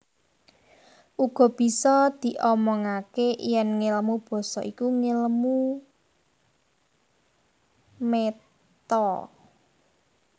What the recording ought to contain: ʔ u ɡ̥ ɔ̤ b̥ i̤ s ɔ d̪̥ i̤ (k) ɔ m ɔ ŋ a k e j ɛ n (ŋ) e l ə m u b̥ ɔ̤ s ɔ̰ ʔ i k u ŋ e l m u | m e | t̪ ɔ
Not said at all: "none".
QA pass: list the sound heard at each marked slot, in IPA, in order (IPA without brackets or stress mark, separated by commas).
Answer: ʔ, ŋ